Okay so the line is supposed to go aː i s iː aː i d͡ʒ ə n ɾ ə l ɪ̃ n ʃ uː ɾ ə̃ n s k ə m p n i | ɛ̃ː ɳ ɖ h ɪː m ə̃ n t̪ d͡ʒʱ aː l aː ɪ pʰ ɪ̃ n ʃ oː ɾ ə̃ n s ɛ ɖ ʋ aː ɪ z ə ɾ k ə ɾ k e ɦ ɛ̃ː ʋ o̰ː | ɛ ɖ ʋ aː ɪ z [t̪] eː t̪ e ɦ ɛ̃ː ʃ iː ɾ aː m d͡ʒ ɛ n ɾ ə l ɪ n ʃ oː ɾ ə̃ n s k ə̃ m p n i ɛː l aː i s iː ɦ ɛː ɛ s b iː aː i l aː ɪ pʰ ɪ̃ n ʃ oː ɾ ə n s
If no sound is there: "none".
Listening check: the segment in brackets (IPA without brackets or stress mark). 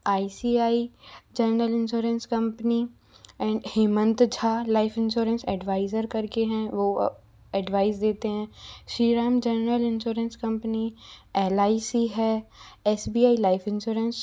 d̪